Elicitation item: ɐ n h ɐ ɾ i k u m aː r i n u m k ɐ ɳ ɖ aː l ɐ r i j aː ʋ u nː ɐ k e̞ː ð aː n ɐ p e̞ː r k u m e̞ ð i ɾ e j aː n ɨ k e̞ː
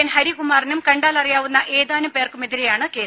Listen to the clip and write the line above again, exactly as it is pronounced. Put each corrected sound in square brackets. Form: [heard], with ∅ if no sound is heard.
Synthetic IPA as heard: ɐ n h ɐ ɾ i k u m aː r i n u m k ɐ ɳ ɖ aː l ɐ r i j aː ʋ u nː ɐ [ʔ] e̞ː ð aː n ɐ p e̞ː r k u m e̞ ð i ɾ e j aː [ɳ] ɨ k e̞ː